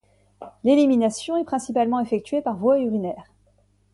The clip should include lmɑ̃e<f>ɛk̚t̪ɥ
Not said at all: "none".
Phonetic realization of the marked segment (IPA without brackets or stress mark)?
f